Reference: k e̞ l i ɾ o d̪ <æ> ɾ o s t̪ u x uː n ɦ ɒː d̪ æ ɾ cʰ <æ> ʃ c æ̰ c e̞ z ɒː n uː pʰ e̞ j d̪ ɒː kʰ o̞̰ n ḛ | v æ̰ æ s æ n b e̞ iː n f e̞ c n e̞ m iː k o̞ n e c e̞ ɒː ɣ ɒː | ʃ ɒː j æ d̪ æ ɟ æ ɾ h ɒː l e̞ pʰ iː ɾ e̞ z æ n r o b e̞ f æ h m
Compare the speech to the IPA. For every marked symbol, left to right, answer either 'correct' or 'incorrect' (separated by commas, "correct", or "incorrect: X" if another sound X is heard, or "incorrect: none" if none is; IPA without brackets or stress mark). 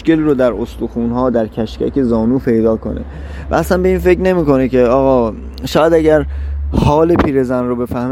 correct, correct